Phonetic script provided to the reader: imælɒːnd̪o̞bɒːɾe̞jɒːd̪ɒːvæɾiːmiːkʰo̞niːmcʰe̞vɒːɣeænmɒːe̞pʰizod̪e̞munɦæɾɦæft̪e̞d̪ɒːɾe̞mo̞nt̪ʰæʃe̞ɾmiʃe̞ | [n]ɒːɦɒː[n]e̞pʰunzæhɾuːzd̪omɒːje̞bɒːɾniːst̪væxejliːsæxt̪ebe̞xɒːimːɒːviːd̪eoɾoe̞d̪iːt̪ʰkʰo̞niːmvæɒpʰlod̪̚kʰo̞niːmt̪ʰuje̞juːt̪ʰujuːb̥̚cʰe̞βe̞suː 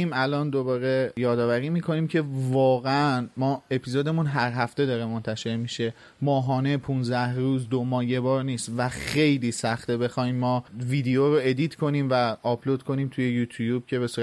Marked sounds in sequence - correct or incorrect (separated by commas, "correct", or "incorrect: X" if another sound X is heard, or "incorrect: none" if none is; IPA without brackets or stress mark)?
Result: incorrect: m, correct